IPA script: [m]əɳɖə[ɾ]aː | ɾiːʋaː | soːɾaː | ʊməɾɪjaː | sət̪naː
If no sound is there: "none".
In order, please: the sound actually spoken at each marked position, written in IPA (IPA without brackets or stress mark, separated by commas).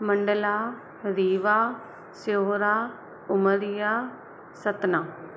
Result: m, l